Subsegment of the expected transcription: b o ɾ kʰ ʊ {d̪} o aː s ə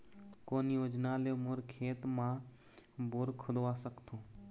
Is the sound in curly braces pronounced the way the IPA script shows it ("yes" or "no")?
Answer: yes